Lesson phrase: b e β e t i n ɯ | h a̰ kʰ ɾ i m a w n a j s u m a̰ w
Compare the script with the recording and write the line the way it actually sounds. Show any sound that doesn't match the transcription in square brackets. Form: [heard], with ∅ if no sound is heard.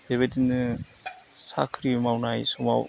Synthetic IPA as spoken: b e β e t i n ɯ | [s] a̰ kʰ ɾ i m a w n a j s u m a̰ w